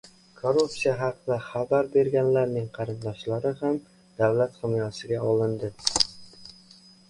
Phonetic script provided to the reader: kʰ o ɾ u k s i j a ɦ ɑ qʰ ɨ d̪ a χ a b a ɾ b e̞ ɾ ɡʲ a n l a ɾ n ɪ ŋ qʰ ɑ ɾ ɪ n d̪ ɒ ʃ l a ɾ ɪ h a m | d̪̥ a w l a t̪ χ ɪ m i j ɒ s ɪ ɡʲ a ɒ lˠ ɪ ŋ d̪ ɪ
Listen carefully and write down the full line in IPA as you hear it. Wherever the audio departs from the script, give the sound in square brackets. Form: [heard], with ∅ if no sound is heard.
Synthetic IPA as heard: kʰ o ɾ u [p] s i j a ɦ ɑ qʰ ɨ d̪ a χ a b a ɾ b e̞ ɾ ɡʲ a n l a ɾ n ɪ ŋ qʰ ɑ ɾ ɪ n d̪ ɒ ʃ l a ɾ ɪ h a m | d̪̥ a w l a t̪ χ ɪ m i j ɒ s ɪ ɡʲ a ɒ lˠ ɪ [n] d̪ ɪ